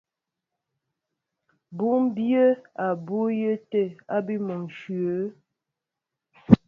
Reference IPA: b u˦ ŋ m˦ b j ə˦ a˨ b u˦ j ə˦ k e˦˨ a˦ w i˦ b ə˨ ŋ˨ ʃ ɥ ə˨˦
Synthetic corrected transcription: b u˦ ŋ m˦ b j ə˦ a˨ b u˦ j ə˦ t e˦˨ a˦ b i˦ m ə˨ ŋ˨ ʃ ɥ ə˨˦